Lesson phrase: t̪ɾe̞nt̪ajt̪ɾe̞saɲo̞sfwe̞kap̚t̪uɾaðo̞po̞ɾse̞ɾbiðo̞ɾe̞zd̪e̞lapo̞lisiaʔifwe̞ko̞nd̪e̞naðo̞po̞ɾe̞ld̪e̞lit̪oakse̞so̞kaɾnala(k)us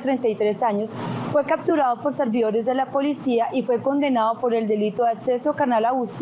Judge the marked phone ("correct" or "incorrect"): incorrect